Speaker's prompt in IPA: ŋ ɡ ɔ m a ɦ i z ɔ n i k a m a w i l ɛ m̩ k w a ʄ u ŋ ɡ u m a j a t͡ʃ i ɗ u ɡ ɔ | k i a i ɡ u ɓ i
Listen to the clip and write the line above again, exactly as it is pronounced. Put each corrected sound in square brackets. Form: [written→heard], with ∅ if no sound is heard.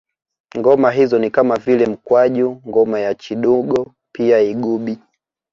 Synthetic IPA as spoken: ŋ ɡ ɔ m a ɦ i z ɔ n i k a m a [w→v] i l ɛ m̩ k w a ʄ u ŋ ɡ [u→ɔ] m a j a t͡ʃ i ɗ u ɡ ɔ | [k→p] i a i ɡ u ɓ i